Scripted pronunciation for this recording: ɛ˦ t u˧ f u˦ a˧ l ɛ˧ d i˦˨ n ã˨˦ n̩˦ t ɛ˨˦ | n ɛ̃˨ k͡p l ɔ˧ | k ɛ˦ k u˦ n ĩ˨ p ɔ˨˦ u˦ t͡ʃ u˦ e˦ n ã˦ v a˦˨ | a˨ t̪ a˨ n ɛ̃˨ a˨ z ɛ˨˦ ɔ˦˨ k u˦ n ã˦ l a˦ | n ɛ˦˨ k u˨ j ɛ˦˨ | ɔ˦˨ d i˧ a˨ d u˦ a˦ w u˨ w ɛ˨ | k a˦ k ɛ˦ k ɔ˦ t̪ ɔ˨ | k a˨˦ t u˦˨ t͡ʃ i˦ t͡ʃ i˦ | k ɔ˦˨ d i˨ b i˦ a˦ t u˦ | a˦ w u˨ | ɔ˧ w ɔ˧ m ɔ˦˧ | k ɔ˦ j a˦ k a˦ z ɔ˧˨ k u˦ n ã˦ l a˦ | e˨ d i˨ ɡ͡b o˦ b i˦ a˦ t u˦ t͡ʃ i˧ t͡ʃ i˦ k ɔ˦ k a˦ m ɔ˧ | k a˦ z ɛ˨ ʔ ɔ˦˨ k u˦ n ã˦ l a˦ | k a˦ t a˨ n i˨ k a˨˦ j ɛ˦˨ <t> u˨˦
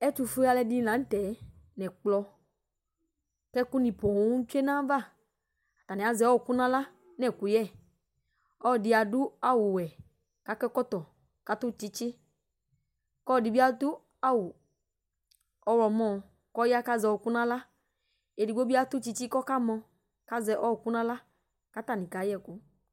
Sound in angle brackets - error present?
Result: yes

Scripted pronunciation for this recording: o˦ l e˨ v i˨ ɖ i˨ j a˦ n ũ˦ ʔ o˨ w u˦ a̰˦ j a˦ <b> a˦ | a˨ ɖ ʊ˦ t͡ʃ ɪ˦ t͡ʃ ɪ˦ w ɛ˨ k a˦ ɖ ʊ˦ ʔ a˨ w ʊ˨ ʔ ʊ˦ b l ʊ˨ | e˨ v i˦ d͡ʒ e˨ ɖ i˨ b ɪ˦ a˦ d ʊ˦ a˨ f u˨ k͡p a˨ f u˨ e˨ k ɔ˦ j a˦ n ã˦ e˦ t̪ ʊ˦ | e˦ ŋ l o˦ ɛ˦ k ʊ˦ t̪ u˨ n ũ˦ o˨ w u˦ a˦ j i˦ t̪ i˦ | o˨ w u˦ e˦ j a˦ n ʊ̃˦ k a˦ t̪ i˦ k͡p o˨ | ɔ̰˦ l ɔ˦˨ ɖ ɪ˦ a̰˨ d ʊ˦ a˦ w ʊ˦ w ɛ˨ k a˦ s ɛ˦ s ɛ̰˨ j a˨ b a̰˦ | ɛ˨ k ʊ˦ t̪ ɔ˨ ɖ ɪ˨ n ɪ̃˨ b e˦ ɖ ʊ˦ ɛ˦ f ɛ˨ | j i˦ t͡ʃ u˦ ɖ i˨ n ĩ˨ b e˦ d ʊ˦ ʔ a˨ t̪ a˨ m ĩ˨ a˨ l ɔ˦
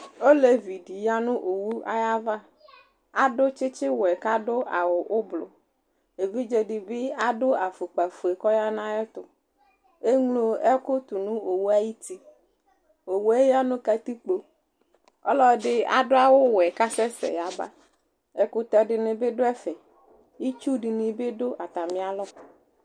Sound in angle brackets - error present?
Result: yes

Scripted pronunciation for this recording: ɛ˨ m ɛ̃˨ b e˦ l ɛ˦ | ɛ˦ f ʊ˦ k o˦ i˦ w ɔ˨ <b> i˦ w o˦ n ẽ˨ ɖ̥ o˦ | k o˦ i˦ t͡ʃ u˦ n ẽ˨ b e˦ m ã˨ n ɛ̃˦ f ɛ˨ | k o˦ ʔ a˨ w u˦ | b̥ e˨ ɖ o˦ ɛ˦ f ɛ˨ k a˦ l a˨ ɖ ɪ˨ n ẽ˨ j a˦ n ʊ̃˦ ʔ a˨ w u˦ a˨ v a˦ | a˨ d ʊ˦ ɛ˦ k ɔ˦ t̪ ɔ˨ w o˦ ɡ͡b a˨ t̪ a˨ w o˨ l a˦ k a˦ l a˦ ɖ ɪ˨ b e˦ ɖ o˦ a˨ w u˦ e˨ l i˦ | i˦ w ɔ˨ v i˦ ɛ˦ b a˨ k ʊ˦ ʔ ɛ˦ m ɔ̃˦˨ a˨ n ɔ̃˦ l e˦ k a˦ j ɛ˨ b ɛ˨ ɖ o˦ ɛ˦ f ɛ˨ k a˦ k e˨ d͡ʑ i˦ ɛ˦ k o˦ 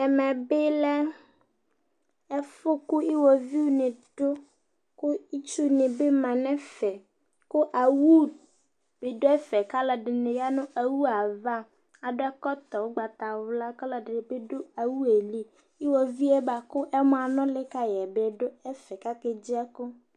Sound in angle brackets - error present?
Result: yes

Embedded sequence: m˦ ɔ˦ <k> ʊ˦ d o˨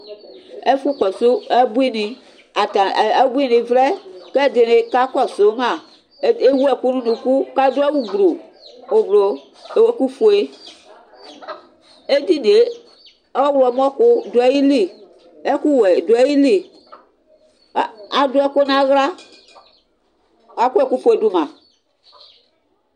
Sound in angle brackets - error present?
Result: no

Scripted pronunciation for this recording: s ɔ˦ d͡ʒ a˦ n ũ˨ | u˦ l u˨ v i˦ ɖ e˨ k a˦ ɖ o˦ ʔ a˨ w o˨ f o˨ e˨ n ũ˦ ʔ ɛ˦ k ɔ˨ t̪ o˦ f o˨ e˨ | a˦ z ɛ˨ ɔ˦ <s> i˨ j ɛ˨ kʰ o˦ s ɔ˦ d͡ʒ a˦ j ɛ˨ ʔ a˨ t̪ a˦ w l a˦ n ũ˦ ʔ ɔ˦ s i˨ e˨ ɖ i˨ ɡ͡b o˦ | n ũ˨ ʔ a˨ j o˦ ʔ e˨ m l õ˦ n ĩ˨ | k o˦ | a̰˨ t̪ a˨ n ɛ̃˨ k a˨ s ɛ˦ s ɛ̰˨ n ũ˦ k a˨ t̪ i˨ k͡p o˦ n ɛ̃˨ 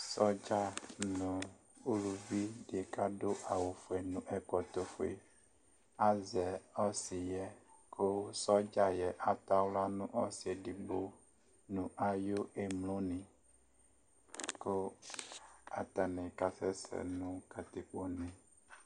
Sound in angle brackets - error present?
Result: no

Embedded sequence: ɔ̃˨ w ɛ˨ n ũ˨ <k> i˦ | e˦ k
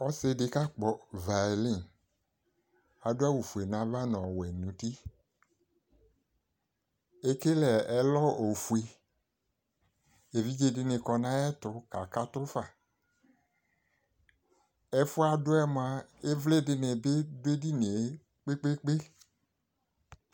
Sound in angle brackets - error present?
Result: yes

